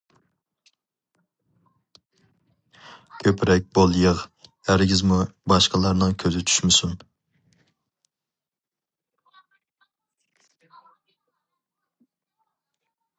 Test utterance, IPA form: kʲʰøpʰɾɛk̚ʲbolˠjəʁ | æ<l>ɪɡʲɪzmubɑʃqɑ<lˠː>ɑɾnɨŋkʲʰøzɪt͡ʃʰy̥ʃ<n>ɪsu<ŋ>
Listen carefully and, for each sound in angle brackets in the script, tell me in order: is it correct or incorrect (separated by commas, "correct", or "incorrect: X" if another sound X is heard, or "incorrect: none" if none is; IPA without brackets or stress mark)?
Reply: incorrect: ɾ, incorrect: lˠ, incorrect: m, incorrect: n